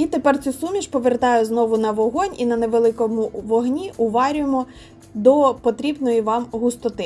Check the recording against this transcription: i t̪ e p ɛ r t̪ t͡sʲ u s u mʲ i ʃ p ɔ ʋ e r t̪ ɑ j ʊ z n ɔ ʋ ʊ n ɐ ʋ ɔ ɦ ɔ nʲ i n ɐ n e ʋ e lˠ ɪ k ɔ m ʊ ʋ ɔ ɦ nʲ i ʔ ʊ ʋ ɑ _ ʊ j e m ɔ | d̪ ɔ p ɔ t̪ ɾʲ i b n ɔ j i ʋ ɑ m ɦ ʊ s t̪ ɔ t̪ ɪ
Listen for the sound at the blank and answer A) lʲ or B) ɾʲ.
B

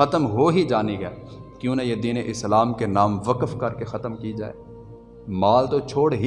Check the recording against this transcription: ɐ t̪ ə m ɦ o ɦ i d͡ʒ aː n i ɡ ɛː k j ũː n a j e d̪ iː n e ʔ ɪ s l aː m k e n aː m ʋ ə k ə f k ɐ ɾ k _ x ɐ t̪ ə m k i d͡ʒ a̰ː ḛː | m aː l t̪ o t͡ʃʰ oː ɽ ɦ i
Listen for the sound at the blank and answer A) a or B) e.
B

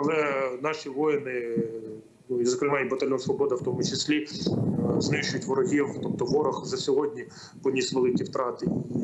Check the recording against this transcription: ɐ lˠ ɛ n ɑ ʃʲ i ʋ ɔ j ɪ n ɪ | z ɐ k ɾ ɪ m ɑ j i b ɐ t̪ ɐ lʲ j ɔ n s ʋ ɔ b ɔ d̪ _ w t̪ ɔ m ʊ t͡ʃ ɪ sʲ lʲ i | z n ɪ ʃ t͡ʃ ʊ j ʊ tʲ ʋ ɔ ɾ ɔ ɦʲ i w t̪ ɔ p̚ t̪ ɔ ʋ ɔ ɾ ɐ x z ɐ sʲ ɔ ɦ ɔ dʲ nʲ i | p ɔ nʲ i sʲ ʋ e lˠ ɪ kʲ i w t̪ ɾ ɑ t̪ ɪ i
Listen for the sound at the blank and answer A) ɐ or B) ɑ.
A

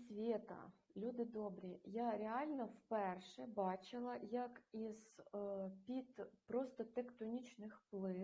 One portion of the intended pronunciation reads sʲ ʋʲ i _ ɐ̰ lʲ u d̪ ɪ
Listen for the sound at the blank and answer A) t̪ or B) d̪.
A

